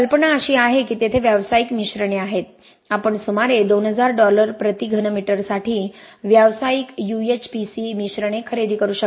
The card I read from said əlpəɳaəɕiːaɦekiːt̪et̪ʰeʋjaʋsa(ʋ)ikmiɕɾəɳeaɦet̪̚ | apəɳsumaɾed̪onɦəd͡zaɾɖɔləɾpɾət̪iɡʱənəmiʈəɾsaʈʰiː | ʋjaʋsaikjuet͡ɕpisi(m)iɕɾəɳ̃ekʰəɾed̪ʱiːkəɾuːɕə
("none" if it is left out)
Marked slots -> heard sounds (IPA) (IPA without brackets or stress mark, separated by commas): none, m